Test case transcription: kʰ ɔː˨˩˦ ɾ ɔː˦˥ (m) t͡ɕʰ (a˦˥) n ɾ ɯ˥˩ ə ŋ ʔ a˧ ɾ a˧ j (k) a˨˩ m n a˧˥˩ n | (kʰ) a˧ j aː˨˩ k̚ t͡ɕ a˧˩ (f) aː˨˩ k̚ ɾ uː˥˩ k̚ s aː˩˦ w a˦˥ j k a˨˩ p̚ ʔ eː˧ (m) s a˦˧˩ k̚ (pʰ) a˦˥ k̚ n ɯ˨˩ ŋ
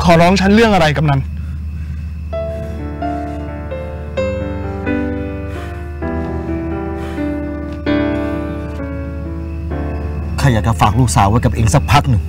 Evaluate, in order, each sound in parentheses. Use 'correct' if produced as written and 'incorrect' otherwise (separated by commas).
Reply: incorrect, correct, correct, correct, correct, incorrect, correct